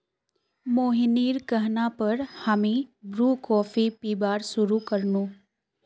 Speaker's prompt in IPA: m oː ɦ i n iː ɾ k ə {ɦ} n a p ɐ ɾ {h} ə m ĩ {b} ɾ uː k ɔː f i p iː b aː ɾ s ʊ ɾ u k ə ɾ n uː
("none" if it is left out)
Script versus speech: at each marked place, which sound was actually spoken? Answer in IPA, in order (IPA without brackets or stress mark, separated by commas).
ɦ, h, b